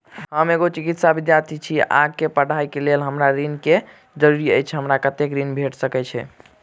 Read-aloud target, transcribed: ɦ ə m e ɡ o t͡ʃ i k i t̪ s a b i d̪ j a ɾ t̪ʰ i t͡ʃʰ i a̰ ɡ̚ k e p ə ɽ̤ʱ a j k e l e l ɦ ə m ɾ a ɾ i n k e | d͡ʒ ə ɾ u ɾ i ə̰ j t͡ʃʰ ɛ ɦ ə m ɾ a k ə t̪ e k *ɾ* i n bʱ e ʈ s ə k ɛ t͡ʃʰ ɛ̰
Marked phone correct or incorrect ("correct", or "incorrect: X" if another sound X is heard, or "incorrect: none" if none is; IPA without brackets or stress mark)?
correct